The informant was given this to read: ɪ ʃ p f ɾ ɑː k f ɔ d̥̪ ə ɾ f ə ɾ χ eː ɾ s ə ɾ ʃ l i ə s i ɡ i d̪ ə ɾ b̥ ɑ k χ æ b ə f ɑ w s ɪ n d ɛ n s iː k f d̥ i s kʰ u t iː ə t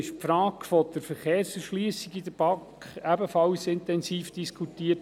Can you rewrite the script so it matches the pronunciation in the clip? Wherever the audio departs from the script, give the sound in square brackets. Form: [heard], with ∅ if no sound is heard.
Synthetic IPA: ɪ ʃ p f ɾ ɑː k f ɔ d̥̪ ə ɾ f ə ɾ χ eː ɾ s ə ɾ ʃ l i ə s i ɡ i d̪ ə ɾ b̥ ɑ k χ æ b ə f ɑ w s ɪ n [t] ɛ n s iː [∅] f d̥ i s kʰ u t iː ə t